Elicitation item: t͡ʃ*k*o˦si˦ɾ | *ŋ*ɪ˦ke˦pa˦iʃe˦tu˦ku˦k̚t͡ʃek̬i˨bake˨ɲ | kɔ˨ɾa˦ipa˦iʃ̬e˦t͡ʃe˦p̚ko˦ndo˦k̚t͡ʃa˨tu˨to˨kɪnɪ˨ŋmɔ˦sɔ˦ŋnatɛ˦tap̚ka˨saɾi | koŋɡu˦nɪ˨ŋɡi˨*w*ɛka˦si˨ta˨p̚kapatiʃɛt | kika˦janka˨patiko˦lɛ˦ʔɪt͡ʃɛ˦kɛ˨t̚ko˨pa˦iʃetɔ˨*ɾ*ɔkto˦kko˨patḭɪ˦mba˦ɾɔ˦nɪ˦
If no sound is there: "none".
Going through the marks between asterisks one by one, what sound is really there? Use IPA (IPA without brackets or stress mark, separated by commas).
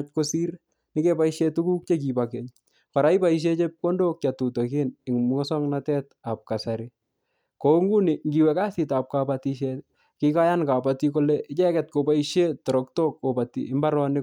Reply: k, n, w, ɾ